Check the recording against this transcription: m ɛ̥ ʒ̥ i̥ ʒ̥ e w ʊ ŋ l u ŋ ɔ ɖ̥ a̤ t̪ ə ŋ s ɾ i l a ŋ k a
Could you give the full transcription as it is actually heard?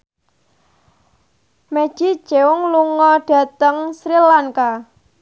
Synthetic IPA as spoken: m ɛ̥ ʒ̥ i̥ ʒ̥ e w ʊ ŋ l u ŋ ɔ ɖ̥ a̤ t̪ ə ŋ s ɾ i l a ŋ k a

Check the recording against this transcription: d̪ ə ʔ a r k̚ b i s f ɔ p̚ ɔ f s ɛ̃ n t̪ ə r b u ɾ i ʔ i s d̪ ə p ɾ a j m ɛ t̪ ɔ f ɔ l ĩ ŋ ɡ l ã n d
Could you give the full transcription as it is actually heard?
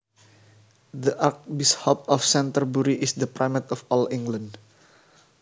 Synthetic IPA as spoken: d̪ ə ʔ a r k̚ b i s h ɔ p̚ ɔ f s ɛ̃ n t̪ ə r b u ɾ i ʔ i s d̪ ə p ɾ a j m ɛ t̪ ɔ f ɔ l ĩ ŋ ɡ l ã n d

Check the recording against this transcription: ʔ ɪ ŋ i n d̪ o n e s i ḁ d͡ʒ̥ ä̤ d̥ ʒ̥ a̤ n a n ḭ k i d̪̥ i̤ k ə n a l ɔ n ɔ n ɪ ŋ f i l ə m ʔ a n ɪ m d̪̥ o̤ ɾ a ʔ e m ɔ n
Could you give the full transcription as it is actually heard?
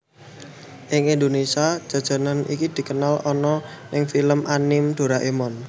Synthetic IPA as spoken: ʔ ɪ ŋ i n d̪ o n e s i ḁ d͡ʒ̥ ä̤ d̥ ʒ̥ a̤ n a n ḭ k i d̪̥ i̤ k ə n a l ɔ n ɔ n ɪ ŋ f i l ə m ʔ a n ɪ m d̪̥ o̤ ɾ a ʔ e m ɔ n

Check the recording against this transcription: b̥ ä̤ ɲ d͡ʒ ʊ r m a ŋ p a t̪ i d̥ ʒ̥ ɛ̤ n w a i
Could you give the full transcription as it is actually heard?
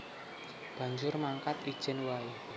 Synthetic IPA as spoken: b̥ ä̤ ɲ d͡ʒ ʊ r m a ŋ k a t̪ i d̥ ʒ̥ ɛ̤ n w a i

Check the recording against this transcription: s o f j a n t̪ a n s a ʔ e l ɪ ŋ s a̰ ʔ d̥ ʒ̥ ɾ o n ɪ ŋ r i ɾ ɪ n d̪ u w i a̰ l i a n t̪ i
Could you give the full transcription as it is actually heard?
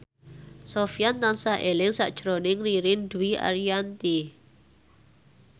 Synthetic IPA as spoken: s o f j a n t̪ a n s a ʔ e l ɪ ŋ s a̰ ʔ d̥ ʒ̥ ɾ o n ɪ ŋ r i ɾ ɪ n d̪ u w i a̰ ɾ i a n t̪ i

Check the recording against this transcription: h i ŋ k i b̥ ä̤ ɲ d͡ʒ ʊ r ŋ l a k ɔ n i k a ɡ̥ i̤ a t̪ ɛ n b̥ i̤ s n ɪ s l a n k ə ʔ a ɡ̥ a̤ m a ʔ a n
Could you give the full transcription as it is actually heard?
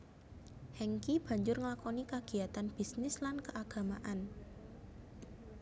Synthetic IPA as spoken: h ɛ ŋ k i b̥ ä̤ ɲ d͡ʒ ʊ r ŋ l a k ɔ n i k a ɡ̥ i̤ a t̪ a n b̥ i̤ s n ɪ s l a n k ə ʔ a ɡ̥ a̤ m a ʔ a n

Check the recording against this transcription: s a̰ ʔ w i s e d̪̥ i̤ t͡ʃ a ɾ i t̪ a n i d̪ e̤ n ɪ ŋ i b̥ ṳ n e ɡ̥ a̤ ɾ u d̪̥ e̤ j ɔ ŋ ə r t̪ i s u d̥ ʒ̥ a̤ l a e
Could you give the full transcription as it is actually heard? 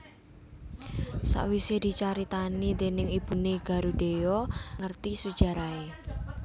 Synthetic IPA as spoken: s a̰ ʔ w i s e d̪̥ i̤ t͡ʃ a ɾ i t̪ a n i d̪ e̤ n ɪ ŋ i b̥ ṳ n e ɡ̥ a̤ ɾ u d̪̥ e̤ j ɔ ŋ ə r t̪ i s u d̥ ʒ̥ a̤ ɾ a e

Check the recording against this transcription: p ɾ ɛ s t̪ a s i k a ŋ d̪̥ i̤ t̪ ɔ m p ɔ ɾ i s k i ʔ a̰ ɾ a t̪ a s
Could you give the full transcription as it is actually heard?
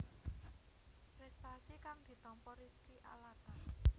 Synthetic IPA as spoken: p ɾ ɛ s t̪ a s i k a ŋ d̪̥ i̤ t̪ ɔ m p ɔ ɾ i s k i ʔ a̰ l a t̪ a s

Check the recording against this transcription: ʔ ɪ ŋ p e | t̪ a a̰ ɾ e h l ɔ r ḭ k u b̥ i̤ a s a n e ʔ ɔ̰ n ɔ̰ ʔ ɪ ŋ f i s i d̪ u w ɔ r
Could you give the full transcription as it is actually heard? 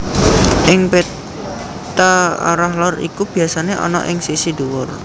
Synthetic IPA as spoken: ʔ ɪ ŋ p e | t̪ a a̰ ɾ a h l ɔ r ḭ k u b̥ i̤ a s a n e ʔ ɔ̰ n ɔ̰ ʔ ɪ ŋ s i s i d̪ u w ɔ r

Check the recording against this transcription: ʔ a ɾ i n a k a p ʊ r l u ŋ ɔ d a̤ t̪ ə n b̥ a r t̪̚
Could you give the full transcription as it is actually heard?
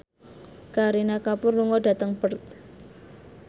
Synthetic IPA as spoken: k a ɾ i n a k a p ʊ r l u ŋ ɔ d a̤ t̪ ə ŋ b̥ ə r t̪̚

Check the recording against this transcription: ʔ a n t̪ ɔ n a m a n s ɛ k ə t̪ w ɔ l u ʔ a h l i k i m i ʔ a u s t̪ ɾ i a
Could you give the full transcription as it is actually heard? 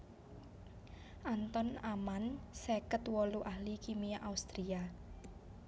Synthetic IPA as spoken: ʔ a n t̪ ɔ n a m a n s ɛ k ə t̪ w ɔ l u ʔ a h l i k i m i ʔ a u s t̪ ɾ i a

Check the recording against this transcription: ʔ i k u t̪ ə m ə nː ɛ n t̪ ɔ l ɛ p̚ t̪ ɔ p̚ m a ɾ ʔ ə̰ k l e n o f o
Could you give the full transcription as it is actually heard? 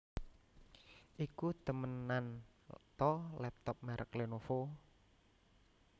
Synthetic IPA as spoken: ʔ i k u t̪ ə m ə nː a n t̪ ɔ l ɛ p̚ t̪ ɔ p̚ m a ɾ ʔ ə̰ k l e n o f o

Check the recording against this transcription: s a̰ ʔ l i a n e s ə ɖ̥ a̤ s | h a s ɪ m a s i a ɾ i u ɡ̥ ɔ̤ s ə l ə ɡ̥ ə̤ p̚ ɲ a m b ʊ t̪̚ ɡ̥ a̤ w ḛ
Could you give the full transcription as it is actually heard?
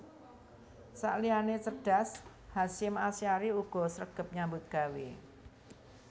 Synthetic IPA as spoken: s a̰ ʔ l i a n e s ə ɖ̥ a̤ s | h a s ɪ m a s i a ɾ i u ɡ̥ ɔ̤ s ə ɾ ə ɡ̥ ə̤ p̚ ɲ a m b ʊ t̪̚ ɡ̥ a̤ w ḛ

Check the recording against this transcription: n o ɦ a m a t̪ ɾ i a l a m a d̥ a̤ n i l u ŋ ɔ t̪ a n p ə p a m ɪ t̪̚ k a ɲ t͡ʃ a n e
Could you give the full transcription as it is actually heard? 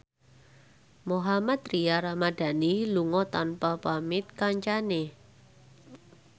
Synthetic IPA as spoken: m o ɦ a m a t̪ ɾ i a ɾ a m a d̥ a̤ n i l u ŋ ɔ t̪ a n p a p a m ɪ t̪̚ k a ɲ t͡ʃ a n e

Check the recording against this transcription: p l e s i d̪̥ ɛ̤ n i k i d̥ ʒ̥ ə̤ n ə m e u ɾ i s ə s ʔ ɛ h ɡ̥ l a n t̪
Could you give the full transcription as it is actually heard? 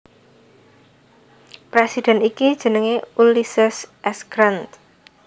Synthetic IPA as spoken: p ɾ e s i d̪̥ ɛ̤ n i k i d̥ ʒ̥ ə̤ n ə ŋ e u l i s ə s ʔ ɛ s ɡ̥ ɾ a n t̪

